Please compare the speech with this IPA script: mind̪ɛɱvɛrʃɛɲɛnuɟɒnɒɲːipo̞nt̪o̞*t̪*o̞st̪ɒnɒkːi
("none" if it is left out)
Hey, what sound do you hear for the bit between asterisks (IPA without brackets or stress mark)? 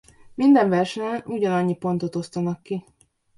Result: t̪